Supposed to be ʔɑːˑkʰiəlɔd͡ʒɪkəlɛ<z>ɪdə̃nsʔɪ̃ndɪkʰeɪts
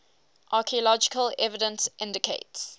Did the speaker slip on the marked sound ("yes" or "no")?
yes